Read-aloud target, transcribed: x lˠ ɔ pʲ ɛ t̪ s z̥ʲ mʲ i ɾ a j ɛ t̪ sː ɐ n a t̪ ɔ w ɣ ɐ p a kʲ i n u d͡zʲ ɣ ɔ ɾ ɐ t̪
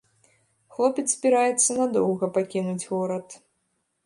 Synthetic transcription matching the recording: x lˠ ɔ pʲ ɛ t̪ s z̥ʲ bʲ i ɾ a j ɛ t̪ sː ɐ n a d̪ ɔ w ɣ ɐ p a kʲ i n u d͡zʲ ɣ ɔ ɾ ɐ t̪

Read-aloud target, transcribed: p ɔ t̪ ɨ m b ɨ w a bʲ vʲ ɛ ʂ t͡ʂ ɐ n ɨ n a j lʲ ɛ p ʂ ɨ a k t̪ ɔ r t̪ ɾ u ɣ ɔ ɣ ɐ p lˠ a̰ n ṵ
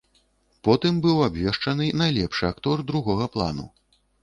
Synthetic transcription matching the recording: p ɔ t̪ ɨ m b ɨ w a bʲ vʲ ɛ ʂ t͡ʂ ɐ n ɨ n a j lʲ ɛ p ʂ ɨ a k t̪ ɔ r d̪ ɾ u ɣ ɔ ɣ ɐ p lˠ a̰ n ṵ

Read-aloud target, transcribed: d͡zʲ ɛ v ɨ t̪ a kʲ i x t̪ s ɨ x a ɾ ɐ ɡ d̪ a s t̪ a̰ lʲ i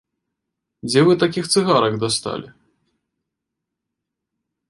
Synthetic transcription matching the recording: d͡zʲ ɛ v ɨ t̪ a kʲ i x t̪ s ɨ ɣ a ɾ ɐ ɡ d̪ a s t̪ a̰ lʲ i

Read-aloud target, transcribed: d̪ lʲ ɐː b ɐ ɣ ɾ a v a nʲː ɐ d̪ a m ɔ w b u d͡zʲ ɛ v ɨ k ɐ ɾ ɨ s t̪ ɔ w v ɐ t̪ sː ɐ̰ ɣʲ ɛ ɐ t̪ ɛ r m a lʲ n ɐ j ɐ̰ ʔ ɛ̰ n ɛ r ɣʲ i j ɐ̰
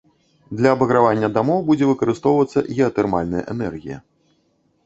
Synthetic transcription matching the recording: d̪ lʲ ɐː b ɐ ɣ ɾ a v a nʲː ɐ d̪ a m ɔ w b u d͡zʲ ɛ v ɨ k ɐ ɾ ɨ s t̪ ɔ w v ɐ t̪ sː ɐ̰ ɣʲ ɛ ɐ t̪ ɛ r m a lʲ n ɐ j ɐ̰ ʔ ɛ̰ n ɛ r ɣʲ i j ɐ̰

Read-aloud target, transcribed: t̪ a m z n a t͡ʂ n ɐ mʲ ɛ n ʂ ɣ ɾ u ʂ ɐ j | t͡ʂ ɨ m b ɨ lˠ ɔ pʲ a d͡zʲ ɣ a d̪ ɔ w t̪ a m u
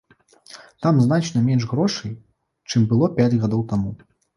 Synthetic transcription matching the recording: t̪ a m z n a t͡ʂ n ɐ mʲ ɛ n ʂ ɣ ɾ ɔ ʂ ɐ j | t͡ʂ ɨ m b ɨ lˠ ɔ pʲ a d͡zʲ ɣ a d̪ ɔ w t̪ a m u

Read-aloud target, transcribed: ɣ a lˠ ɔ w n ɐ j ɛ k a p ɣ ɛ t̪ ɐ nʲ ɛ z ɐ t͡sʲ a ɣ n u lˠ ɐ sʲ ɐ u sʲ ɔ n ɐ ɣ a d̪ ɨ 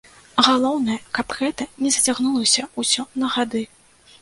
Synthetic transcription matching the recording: ɣ a lˠ ɔ w n ɐ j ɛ k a p ɣ ɛ t̪ ɐ nʲ ɛ z ɐ t͡sʲ a ɣ n u lˠ ɐ sʲ ɐ u sʲ ɔ n ɐ ɣ a d̪ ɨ

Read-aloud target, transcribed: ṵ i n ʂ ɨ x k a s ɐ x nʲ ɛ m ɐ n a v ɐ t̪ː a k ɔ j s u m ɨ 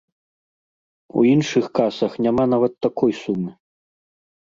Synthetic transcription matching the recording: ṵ i n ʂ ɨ x k a s ɐ x nʲ a m a n a v ɐ t̪ː a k ɔ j s u m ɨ

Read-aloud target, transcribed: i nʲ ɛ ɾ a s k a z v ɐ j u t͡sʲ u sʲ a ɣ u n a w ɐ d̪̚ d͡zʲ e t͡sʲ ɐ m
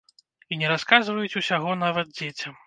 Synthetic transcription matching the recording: i nʲ ɛ ɾ a s k a z v ɐ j u t͡sʲ u sʲ a ɣ ɔ n a v ɐ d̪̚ d͡zʲ e t͡sʲ ɐ m

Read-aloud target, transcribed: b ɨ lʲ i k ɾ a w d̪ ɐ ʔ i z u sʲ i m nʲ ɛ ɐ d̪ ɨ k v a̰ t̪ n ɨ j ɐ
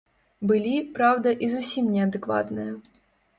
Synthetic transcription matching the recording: b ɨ lʲ i p ɾ a w d̪ ɐ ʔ i z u sʲ i m nʲ ɛ ɐ d̪ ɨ k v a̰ t̪ n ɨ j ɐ

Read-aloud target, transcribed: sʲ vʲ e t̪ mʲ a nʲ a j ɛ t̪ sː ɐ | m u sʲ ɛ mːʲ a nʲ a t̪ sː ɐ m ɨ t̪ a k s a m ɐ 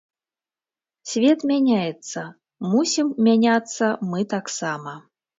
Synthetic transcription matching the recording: sʲ vʲ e t̪ mʲ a nʲ a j ɛ t̪ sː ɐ | m u sʲ i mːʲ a nʲ a t̪ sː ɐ m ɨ t̪ a k s a m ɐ

